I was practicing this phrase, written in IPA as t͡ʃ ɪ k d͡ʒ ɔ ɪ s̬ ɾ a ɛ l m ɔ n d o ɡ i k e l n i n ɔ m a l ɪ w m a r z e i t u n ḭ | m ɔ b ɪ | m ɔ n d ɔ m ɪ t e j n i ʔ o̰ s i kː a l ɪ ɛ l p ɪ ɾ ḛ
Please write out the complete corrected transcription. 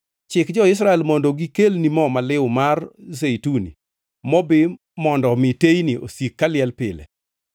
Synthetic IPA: t͡ʃ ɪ k d͡ʒ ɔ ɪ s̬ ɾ a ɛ l m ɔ n d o ɡ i k e l n i m ɔ m a l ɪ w m a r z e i t u n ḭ | m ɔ b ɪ | m ɔ n d ɔ m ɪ t e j n i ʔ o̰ s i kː a l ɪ ɛ l p ɪ l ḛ